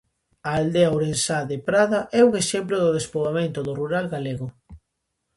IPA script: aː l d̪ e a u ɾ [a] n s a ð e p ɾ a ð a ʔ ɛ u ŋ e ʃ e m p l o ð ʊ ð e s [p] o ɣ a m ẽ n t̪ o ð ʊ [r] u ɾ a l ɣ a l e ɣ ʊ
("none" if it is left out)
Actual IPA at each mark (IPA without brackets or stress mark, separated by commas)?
e, p, r